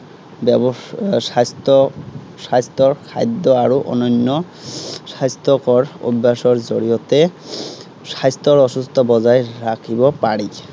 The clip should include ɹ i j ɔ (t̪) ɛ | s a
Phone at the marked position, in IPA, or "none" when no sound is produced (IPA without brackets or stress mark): t̪